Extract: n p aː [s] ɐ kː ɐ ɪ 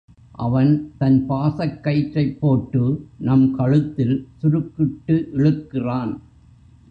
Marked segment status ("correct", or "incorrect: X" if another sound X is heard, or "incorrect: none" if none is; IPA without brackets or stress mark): correct